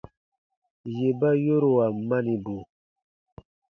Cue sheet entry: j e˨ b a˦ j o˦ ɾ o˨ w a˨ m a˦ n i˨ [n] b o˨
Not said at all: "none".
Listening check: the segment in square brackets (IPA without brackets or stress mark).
none